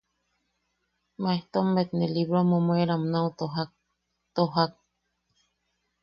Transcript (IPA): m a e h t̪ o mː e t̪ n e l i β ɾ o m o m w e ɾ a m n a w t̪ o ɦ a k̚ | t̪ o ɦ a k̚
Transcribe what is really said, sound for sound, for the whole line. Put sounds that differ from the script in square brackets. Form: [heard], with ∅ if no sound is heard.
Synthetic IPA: m a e h t̪ o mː e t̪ n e l i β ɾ o m o m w e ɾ a m n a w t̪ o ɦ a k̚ | t̪ o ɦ a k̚